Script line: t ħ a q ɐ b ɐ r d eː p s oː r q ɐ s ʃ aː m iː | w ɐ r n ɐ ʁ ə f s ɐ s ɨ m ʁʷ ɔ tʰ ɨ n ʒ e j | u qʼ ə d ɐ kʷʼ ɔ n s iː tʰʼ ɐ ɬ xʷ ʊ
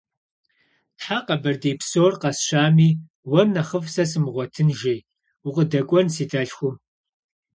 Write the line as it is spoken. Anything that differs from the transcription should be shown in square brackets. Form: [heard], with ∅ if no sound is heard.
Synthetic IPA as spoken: t ħ a q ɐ b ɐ r d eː p s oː r q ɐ s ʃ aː m iː | w ɐ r n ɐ [χ] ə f s ɐ s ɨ m ʁʷ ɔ tʰ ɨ n ʒ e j | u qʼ ə d ɐ kʷʼ ɔ n s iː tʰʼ ɐ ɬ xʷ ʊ